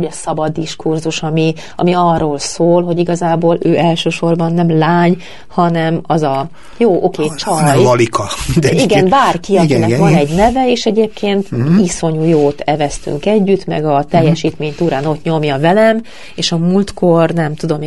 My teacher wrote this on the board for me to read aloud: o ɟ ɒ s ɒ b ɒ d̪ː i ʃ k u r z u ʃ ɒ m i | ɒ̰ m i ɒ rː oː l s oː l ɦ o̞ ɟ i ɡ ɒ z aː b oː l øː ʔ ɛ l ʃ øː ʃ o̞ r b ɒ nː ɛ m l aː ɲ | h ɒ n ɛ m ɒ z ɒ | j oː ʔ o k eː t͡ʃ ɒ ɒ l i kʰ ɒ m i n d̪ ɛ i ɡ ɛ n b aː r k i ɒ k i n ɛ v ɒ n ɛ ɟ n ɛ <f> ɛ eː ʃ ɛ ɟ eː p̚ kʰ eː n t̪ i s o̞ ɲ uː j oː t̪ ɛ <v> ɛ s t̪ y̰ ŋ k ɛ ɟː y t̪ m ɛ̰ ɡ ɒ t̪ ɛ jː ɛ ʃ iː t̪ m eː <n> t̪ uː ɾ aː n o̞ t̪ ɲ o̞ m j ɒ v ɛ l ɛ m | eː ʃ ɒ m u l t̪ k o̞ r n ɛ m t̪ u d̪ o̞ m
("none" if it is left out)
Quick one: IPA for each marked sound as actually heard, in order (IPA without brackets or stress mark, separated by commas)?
v, v, ɲ